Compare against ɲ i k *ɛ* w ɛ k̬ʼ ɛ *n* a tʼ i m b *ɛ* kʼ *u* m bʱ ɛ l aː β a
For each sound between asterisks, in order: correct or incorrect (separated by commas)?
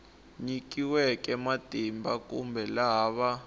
incorrect, incorrect, incorrect, correct